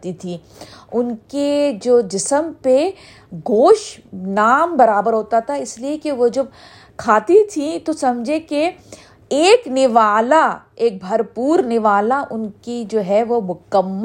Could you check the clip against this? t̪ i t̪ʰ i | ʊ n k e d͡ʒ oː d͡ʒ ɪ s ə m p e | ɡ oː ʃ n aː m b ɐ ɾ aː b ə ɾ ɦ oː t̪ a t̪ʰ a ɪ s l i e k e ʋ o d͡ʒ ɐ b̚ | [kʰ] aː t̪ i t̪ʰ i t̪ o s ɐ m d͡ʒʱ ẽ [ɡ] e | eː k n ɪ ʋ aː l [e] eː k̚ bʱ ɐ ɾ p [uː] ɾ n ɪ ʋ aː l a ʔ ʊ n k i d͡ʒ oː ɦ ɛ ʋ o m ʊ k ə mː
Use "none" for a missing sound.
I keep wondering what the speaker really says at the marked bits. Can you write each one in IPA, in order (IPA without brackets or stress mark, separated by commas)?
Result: kʰ, k, a, uː